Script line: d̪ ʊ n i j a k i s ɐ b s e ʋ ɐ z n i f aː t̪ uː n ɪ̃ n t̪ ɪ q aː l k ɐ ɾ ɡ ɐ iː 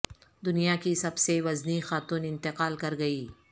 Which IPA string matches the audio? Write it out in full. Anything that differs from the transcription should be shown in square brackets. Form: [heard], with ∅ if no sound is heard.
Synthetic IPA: d̪ ʊ n i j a k i s ɐ b s e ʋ ɐ z n i [x] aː t̪ uː n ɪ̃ n t̪ ɪ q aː l k ɐ ɾ ɡ ɐ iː